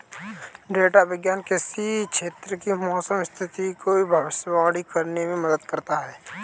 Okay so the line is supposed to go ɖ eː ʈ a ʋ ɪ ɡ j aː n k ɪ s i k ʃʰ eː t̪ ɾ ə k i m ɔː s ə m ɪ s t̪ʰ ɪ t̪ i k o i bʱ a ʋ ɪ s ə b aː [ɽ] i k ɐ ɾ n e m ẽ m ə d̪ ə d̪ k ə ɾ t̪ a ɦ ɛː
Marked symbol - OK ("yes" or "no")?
yes